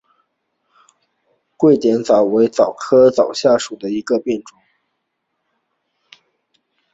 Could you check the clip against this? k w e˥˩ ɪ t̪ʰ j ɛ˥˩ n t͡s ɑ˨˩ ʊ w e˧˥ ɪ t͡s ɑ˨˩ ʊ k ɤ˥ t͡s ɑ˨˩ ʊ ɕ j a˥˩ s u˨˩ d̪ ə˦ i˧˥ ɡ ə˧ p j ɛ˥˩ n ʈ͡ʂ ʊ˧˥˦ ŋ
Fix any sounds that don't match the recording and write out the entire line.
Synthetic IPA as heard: k w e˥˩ ɪ t̪ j ɛ˧˥ n t͡s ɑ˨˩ ʊ w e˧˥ ɪ t͡s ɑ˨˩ ʊ kʰ ɤ˥ t͡s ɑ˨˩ ʊ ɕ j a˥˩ ʂ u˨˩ d̪ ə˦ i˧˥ ɡ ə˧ p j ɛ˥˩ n ʈ͡ʂ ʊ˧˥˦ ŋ